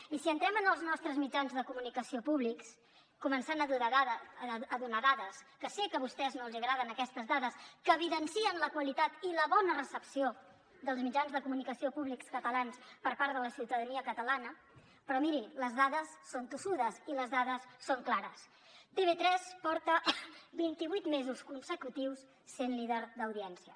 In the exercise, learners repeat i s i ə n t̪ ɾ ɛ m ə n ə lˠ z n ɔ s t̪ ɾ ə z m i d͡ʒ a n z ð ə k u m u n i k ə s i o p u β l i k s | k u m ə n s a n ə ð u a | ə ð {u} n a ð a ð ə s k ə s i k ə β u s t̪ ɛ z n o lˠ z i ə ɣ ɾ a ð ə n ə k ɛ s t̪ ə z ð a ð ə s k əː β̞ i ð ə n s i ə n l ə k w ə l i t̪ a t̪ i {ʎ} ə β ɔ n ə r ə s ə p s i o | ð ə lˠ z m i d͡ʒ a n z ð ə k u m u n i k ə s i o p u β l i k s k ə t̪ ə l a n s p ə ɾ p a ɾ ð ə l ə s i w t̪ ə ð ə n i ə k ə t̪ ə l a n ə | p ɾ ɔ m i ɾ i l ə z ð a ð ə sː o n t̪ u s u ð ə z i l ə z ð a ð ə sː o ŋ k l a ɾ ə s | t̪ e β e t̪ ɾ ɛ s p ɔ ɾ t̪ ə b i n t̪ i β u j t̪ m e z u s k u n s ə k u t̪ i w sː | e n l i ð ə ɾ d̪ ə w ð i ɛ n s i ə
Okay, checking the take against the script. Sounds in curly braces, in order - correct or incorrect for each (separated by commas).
correct, incorrect